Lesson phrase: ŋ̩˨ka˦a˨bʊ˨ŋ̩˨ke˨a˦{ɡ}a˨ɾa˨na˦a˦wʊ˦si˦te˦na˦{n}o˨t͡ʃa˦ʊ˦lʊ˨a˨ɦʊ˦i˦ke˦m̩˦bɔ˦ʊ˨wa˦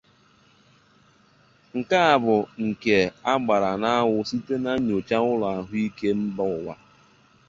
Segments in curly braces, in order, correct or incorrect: incorrect, incorrect

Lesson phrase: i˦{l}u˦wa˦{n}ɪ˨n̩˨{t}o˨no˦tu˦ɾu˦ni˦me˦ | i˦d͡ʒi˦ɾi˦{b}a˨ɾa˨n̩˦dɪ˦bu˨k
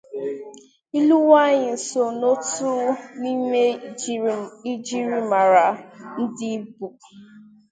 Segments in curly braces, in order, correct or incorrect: correct, incorrect, incorrect, incorrect

